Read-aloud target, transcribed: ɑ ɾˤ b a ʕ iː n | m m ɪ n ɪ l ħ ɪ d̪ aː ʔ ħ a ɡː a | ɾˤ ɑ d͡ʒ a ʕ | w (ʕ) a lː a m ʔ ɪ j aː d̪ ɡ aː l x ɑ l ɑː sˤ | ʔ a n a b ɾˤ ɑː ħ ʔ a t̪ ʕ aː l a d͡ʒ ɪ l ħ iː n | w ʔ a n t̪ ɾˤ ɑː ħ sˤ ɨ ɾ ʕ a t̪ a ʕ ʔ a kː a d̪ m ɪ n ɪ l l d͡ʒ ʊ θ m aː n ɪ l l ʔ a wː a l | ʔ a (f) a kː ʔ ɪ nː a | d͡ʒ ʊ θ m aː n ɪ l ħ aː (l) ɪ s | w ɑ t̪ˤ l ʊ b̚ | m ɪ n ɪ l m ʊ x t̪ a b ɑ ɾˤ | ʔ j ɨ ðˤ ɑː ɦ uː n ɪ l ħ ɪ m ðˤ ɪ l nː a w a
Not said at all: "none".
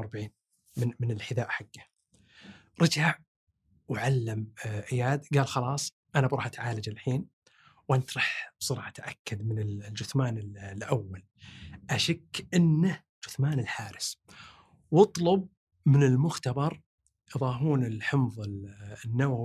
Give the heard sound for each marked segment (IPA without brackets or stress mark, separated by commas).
ʕ, ʃ, ɾ